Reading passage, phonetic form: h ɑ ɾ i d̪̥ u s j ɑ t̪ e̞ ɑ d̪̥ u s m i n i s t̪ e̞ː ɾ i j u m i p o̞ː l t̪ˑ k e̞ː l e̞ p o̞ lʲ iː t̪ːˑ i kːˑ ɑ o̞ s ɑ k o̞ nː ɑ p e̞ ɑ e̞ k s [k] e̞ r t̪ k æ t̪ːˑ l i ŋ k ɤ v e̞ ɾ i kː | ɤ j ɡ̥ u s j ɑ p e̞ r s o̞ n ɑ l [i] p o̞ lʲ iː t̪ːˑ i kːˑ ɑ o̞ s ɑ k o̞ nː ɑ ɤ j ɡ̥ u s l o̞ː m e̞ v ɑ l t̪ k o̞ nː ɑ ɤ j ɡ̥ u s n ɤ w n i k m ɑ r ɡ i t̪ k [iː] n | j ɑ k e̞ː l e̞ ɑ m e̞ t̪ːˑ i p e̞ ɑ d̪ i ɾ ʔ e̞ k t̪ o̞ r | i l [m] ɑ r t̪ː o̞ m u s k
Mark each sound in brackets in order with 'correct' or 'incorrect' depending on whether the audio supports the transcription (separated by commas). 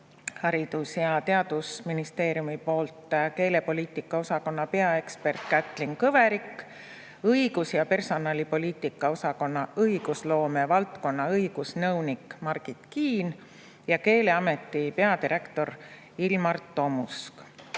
incorrect, correct, correct, correct